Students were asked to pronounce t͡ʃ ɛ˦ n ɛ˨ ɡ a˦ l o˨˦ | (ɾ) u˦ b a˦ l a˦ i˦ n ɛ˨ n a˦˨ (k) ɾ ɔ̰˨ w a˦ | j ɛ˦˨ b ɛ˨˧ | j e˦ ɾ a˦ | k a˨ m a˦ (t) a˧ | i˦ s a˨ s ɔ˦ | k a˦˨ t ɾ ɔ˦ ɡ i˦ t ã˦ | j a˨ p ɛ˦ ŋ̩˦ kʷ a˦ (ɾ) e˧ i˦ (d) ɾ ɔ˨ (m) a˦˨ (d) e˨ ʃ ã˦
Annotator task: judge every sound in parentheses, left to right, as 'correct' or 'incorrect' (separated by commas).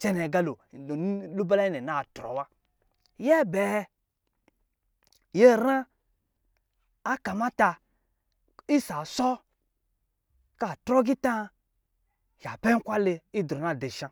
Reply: incorrect, incorrect, correct, incorrect, correct, incorrect, correct